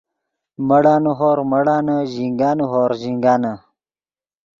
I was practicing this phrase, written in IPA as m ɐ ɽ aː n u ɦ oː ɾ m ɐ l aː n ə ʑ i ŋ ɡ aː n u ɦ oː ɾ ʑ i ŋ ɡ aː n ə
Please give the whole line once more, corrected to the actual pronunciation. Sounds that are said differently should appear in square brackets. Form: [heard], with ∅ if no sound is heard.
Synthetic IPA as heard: m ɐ ɽ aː n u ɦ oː ɾ m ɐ [ɽ] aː n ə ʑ i ŋ ɡ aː n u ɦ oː ɾ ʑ i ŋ ɡ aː n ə